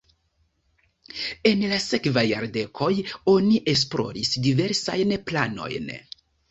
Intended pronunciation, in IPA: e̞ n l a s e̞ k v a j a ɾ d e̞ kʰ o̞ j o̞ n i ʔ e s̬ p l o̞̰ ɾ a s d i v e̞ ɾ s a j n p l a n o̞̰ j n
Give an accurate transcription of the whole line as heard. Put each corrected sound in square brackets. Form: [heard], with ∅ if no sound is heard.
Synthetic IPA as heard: e̞ n l a s e̞ k v a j a ɾ d e̞ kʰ o̞ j o̞ n i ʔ e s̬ p l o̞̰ ɾ [i] s d i v e̞ ɾ s a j n p l a n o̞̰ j n